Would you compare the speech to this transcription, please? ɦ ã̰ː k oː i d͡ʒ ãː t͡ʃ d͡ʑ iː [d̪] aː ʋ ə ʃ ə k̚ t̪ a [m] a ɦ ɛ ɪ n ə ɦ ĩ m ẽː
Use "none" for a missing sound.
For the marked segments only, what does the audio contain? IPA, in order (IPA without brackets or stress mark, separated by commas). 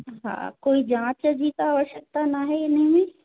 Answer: t̪, n